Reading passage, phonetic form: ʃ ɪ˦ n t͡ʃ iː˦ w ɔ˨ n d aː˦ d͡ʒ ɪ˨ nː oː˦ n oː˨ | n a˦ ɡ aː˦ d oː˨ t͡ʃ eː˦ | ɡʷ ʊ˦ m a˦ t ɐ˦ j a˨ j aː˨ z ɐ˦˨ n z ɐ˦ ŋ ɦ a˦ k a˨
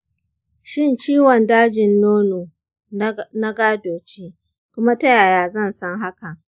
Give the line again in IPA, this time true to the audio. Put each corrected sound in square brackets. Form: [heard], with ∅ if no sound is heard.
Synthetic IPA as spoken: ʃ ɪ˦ n t͡ʃ iː˦ w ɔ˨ n d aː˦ d͡ʒ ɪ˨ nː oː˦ n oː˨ | n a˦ ɡ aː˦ d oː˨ t͡ʃ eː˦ | [kʷ] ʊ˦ m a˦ t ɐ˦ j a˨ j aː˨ z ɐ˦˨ n [s] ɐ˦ ŋ ɦ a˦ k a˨